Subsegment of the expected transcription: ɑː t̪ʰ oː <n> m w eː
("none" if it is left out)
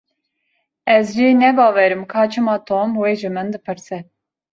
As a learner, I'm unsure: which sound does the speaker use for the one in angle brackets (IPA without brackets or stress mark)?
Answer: none